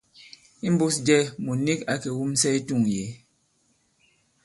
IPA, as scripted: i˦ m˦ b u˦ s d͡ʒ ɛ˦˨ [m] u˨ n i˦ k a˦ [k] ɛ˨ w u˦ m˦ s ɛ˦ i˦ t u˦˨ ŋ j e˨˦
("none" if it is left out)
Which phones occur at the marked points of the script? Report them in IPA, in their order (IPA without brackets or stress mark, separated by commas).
m, k